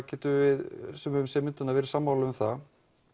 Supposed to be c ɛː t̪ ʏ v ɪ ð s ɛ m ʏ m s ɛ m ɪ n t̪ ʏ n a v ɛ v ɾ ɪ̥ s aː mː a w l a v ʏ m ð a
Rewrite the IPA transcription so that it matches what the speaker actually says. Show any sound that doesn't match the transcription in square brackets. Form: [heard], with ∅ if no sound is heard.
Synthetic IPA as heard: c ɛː t̪ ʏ v ɪ ð s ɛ m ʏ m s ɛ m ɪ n t̪ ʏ n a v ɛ [∅] ɾ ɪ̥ s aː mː a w l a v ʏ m [θ] a